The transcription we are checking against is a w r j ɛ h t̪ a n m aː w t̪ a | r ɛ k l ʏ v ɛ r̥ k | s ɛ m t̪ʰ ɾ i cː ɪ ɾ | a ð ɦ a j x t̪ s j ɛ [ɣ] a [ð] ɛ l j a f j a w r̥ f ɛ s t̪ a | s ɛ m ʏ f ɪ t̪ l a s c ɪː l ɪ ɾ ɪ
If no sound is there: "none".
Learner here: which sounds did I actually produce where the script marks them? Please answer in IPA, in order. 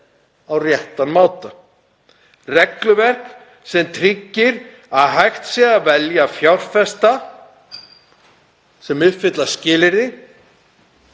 ɣ, v

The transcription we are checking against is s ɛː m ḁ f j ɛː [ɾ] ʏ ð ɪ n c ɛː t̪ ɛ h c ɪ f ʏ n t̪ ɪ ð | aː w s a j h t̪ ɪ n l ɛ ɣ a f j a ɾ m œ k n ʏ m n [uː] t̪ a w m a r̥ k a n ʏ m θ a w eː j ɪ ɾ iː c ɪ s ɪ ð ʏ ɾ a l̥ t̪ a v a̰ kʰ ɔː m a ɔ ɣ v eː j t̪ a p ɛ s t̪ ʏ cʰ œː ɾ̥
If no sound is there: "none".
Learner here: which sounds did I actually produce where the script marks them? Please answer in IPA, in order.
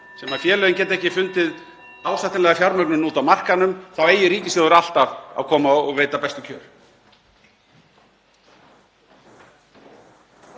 l, uː

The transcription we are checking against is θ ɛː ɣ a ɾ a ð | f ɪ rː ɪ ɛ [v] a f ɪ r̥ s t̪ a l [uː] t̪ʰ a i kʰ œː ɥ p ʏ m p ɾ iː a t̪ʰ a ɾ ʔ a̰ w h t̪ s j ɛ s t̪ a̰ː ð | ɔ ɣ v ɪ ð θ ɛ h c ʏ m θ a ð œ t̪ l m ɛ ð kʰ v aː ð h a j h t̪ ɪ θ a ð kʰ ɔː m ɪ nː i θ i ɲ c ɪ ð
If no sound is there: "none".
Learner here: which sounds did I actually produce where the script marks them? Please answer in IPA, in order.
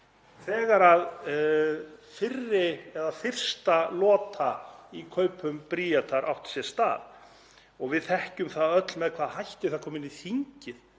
ð, ɔː

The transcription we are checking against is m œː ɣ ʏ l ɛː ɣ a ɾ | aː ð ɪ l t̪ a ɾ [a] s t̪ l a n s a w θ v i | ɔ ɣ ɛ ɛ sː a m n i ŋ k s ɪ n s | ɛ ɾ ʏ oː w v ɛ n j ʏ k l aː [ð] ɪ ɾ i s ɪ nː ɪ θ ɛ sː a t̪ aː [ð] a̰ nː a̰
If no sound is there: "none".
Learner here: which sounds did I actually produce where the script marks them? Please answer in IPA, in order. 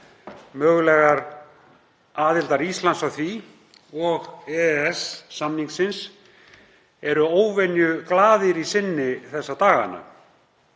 i, ð, ɣ

